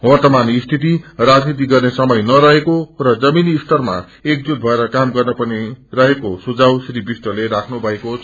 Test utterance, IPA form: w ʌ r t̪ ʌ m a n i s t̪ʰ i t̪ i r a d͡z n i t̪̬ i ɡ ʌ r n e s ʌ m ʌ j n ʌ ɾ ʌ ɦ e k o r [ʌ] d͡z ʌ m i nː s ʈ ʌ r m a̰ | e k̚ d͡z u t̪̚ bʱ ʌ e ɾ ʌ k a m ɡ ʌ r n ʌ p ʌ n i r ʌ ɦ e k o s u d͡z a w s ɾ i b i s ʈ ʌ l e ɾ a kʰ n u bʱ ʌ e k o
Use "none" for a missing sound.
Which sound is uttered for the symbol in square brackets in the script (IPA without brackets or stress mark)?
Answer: ʌ